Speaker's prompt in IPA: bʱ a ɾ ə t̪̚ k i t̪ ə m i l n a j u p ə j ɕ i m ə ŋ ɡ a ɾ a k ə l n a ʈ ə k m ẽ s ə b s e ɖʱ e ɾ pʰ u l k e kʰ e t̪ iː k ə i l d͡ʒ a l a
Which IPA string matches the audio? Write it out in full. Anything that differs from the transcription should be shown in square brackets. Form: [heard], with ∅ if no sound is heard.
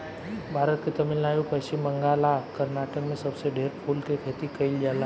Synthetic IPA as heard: bʱ a ɾ ə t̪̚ k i t̪ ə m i l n a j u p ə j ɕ i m ə ŋ ɡ a [l] a k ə [ɾ] n a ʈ ə k m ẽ s ə b s e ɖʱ e ɾ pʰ u l k e kʰ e t̪ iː k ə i l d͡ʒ a l a